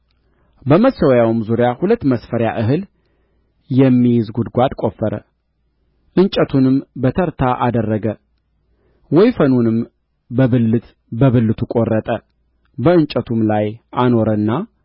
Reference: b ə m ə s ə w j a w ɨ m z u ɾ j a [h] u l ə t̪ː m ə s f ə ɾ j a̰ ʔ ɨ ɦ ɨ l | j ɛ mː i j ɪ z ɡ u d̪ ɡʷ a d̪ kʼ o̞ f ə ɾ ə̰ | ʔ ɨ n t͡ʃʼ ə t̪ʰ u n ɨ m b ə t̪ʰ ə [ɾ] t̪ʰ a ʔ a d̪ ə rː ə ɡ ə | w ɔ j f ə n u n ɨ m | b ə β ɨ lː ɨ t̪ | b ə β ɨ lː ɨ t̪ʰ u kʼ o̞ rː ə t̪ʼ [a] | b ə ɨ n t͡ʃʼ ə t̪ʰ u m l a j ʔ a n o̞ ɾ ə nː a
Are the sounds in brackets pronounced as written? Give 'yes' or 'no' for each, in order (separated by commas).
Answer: yes, yes, no